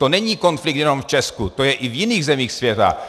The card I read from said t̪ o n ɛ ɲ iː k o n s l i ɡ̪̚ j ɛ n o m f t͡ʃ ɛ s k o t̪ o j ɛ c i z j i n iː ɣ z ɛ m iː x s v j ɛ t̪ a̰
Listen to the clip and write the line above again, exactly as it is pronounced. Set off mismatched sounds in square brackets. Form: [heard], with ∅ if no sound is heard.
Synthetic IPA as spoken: t̪ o n ɛ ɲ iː k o n [f] l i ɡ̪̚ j ɛ n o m f t͡ʃ ɛ s k [u] t̪ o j ɛ [ʔ] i [v] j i n iː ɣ z ɛ m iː x s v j ɛ t̪ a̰